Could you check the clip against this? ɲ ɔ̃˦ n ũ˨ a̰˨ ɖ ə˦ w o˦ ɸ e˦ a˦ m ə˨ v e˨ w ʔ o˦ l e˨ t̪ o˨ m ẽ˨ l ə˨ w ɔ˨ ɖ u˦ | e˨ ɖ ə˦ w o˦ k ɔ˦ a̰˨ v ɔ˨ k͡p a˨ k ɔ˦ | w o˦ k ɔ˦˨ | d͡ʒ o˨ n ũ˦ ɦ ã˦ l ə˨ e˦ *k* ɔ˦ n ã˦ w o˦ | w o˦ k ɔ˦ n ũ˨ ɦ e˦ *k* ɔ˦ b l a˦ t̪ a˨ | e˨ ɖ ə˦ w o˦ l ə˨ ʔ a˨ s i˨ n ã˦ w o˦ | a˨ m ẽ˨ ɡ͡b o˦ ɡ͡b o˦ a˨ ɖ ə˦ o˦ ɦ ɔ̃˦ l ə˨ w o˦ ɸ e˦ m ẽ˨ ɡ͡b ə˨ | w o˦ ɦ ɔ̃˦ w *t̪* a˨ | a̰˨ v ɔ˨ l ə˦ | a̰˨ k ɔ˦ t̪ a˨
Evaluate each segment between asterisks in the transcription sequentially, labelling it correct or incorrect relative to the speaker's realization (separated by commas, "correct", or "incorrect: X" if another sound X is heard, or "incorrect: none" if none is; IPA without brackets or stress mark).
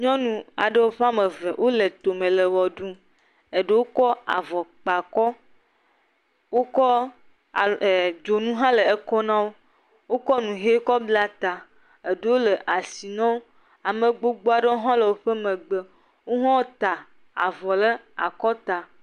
correct, correct, correct